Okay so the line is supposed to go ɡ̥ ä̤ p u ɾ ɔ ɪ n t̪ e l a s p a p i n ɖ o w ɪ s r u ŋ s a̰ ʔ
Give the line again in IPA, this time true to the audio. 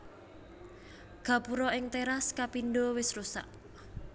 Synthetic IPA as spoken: ɡ̥ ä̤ p u ɾ ɔ ɪ ŋ t̪ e ɾ a s k a p i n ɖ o w ɪ s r u s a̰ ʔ

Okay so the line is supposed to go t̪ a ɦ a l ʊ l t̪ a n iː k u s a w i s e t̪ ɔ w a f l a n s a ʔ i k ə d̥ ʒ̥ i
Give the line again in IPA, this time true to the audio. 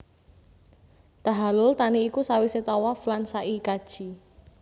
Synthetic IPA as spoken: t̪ a ɦ a l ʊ l t̪ a n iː k u s a w i s e t̪ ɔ w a f l a n s a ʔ i k a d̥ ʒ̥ i

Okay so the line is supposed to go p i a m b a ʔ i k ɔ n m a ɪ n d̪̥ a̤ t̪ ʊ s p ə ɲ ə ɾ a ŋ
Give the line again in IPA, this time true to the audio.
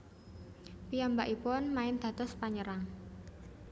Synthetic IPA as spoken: p i a m b a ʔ i p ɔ n m a ɪ n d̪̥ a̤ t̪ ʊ s p a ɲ ə ɾ a ŋ

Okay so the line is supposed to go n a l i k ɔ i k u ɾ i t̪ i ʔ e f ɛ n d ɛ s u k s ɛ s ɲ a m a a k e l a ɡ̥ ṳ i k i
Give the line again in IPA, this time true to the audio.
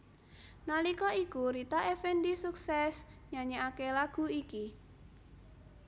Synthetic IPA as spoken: n a l i k ɔ i k u ɾ i t̪ a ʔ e f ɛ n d i s u k s ɛ s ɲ a ɲ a a k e l a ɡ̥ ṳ i k i

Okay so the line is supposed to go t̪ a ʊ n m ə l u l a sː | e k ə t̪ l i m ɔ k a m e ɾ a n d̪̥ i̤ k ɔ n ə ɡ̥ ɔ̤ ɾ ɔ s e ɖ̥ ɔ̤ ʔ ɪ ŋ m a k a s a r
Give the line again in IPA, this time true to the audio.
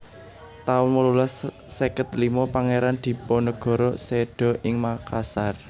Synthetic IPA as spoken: t̪ a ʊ n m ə l u l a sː | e k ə t̪ l i m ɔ p a ŋ e ɾ a n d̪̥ i̤ p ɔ n ə ɡ̥ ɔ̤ ɾ ɔ s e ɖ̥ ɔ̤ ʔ ɪ ŋ m a k a s a r

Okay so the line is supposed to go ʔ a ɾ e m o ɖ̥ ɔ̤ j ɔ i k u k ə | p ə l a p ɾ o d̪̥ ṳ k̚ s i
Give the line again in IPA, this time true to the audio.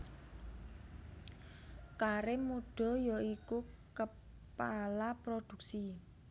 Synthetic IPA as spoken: k a ɾ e m u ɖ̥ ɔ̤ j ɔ i k u k ə | p a l a p ɾ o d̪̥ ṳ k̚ s i

